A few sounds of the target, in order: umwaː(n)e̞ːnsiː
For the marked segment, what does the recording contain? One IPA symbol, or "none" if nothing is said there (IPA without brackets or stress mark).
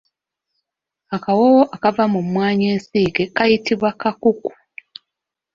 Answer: ɲ